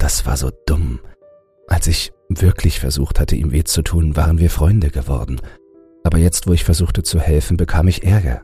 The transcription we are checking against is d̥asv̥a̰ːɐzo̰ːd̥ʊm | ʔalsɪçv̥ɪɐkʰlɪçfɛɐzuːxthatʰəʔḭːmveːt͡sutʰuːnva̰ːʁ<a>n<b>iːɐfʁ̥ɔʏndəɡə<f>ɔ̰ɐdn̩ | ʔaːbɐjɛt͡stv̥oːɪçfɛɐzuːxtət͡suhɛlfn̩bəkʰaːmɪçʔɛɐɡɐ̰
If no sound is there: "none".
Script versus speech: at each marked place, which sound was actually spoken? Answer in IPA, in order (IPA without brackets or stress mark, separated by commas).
ə, v, v